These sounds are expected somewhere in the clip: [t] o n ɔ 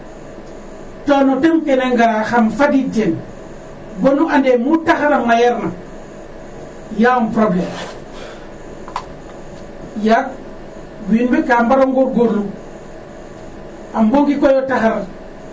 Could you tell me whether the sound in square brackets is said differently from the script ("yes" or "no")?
no